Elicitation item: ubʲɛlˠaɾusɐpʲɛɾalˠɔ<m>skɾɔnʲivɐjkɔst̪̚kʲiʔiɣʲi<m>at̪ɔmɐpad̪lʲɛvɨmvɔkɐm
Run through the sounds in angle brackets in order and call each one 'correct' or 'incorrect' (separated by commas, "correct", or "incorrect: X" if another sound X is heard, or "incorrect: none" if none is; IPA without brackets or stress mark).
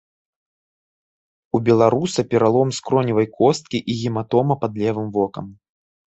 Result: correct, correct